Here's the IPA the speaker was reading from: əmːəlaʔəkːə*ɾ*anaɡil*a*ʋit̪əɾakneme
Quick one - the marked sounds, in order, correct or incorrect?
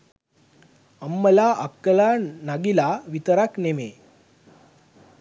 incorrect: l, correct

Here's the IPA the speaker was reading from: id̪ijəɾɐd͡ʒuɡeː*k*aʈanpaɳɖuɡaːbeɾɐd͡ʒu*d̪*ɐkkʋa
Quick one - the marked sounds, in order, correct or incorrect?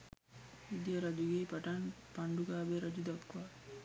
incorrect: p, correct

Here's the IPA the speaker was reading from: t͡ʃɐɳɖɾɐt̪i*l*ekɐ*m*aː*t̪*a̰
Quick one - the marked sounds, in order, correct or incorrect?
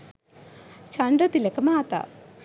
correct, correct, correct

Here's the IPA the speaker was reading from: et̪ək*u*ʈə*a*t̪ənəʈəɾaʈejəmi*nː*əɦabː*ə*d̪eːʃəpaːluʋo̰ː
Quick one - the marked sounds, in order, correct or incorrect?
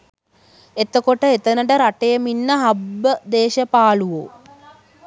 incorrect: o, incorrect: e, correct, correct

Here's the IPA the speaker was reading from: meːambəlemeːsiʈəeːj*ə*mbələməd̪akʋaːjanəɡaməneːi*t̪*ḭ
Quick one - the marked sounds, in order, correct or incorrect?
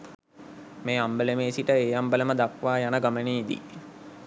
incorrect: a, incorrect: d̪

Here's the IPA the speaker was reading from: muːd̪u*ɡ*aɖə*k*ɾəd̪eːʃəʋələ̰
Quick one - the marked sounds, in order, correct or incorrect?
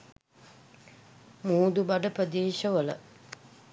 incorrect: b, incorrect: p

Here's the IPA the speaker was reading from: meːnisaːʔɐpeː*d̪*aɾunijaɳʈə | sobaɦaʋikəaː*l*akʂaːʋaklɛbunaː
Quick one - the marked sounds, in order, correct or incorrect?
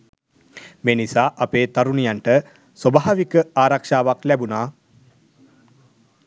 incorrect: t̪, incorrect: ɾ

